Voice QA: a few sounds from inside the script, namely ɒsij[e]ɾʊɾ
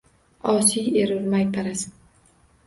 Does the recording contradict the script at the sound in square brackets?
no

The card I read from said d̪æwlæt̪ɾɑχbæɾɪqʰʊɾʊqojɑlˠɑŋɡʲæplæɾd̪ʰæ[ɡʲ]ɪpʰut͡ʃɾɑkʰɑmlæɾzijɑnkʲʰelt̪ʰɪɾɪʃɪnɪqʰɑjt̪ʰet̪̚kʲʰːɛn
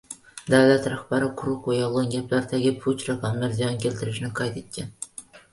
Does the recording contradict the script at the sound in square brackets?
no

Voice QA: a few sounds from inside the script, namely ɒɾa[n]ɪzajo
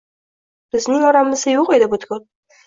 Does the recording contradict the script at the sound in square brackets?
yes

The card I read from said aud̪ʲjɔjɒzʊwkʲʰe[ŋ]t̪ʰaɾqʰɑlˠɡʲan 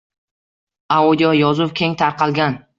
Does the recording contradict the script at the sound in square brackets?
no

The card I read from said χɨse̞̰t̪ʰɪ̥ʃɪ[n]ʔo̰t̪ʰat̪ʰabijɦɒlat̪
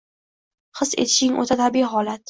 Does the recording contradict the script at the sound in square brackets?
yes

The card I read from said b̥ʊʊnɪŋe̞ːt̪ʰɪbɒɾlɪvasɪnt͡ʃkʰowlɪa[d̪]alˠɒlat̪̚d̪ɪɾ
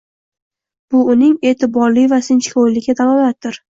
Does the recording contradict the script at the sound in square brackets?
no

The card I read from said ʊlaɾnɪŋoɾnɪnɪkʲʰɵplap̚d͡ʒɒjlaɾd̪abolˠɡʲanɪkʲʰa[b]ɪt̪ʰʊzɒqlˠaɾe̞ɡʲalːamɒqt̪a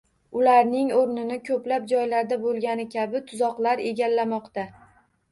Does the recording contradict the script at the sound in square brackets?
no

